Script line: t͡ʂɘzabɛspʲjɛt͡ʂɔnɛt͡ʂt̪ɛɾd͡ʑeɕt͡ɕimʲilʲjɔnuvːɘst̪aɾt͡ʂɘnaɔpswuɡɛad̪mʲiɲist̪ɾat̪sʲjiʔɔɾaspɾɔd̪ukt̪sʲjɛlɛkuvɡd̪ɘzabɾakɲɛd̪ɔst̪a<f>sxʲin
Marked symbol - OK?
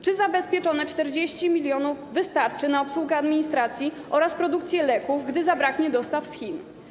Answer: yes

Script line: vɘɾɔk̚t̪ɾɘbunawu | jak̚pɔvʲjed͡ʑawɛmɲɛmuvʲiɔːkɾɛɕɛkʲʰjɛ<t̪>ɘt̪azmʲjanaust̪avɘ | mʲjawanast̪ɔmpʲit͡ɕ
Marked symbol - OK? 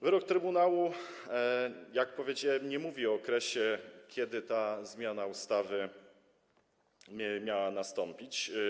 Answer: no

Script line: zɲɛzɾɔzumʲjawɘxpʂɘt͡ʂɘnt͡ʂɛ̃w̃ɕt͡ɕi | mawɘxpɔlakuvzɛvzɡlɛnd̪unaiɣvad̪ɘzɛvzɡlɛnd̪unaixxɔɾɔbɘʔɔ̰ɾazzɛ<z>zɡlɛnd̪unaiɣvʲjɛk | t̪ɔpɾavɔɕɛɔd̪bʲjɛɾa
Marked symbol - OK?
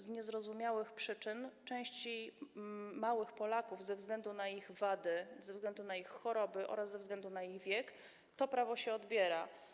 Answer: no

